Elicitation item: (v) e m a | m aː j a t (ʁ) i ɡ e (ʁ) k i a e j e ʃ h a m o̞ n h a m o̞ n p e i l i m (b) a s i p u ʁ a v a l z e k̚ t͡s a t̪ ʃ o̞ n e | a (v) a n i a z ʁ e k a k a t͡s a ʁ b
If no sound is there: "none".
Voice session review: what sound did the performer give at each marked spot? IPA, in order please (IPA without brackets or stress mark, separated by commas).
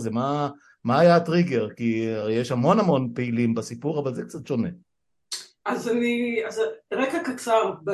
z, ʁ, ʁ, b, z